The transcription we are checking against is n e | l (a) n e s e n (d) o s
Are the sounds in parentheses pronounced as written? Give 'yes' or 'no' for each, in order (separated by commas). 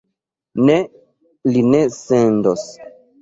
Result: no, yes